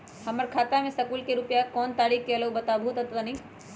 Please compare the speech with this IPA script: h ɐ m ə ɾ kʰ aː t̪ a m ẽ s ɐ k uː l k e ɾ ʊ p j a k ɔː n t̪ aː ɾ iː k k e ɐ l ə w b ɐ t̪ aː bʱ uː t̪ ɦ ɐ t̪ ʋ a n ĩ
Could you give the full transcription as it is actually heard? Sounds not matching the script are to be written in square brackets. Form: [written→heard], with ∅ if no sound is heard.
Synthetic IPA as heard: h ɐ m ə ɾ kʰ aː t̪ a m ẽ s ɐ k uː l k e ɾ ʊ p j a k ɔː n t̪ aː ɾ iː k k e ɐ l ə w b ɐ t̪ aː bʱ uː t̪ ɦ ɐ t̪ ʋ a n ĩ